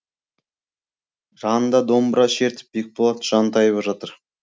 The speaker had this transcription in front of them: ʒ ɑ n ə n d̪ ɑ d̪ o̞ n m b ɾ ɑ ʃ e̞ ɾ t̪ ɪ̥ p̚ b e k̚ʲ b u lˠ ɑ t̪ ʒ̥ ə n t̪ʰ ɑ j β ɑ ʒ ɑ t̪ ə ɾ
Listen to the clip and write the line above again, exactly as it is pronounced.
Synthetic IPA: ʒ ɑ n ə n d̪ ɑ d̪ o̞ m b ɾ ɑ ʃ e̞ ɾ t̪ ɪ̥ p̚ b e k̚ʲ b o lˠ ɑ t̪ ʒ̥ ɑ n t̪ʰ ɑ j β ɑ ʒ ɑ t̪ ə ɾ